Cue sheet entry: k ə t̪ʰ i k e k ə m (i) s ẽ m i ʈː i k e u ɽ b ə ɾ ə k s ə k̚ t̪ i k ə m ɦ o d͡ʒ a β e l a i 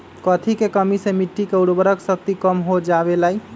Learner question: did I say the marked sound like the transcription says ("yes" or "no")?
yes